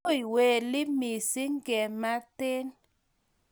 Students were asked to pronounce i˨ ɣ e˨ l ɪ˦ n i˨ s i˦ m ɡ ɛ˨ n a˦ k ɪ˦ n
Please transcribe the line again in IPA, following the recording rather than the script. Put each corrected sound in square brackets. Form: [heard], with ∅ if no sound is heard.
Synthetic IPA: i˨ [w] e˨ l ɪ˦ [m] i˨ s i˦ [ŋ] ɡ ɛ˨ [m] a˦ [t] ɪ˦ n